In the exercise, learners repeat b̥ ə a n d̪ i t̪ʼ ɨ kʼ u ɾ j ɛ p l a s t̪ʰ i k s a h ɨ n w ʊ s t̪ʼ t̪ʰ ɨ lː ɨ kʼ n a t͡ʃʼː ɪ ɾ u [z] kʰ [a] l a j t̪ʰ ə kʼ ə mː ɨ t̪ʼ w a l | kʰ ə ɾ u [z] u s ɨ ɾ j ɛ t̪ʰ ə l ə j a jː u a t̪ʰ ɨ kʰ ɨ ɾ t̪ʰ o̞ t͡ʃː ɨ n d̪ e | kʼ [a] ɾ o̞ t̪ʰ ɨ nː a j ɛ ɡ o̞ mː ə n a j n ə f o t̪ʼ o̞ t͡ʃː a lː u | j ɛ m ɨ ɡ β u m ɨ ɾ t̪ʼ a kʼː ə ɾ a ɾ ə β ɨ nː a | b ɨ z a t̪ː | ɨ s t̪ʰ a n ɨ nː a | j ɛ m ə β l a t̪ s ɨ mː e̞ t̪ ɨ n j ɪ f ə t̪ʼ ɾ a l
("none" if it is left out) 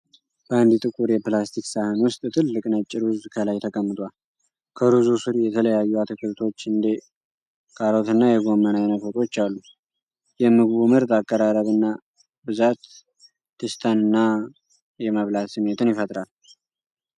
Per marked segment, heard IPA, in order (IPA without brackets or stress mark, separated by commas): z, ə, z, a